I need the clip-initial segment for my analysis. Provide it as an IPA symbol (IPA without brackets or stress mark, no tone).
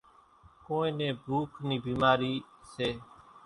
k